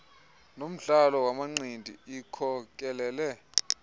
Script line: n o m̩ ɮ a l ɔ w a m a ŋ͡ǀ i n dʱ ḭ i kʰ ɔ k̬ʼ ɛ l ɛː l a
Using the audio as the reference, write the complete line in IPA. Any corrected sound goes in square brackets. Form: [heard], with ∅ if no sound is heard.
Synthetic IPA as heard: n o m̩ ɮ a l ɔ w a m a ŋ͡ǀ i n dʱ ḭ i kʰ ɔ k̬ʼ ɛ l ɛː l [ɛ]